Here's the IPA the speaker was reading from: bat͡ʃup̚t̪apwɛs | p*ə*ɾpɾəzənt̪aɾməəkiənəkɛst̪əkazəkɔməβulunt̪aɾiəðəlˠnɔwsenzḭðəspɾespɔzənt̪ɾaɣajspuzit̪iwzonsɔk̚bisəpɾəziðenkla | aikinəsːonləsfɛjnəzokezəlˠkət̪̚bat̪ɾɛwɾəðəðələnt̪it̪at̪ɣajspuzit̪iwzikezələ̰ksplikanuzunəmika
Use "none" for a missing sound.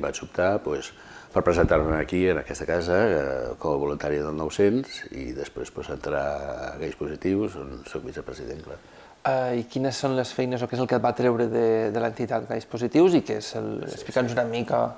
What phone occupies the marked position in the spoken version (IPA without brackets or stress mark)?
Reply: ə